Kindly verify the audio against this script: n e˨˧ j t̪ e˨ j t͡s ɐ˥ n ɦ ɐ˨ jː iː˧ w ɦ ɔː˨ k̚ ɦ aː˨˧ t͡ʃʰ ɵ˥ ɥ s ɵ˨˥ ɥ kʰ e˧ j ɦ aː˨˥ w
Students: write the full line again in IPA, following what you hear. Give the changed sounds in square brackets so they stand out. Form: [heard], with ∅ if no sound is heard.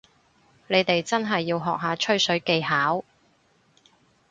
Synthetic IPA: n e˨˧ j t̪ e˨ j t͡s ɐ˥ n ɦ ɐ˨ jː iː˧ w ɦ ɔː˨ k̚ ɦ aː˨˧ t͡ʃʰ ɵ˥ ɥ s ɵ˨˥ ɥ [k] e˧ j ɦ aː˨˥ w